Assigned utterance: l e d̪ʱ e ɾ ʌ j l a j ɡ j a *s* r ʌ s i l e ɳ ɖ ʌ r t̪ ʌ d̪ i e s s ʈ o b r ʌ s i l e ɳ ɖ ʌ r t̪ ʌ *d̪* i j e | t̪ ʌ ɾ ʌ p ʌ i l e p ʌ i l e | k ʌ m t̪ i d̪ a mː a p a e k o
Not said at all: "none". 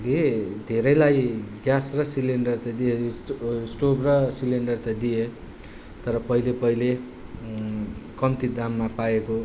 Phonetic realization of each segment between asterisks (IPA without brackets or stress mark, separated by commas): s, d̪